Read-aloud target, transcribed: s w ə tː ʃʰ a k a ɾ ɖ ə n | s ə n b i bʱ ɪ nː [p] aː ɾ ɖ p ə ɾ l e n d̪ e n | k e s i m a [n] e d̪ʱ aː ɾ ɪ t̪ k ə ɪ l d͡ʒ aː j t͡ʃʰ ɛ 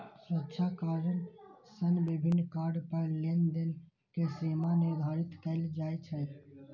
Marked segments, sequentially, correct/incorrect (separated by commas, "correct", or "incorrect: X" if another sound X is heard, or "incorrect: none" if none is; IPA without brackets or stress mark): incorrect: k, correct